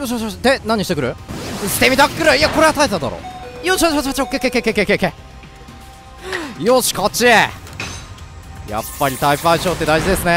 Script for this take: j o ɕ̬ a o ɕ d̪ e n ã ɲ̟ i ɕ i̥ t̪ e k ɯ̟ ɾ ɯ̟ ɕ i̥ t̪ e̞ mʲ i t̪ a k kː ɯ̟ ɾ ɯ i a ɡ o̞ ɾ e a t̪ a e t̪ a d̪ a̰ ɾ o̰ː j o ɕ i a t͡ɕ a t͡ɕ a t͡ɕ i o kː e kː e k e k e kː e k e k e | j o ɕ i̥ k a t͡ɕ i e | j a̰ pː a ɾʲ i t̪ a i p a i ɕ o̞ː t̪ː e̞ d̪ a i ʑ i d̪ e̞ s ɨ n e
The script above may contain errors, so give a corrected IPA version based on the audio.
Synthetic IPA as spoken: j o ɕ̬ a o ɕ d̪ e n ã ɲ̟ i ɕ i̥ t̪ e k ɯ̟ ɾ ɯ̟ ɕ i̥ t̪ e̞ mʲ i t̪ a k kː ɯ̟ ɾ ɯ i a k o̞ ɾ e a t̪ a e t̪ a d̪ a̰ ɾ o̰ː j o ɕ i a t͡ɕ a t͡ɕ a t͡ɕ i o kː e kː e k e k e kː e k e k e | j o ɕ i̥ k a t͡ɕ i e | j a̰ pː a ɾʲ i t̪ a i p a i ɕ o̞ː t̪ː e̞ d̪ a i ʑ i d̪ e̞ s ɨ n e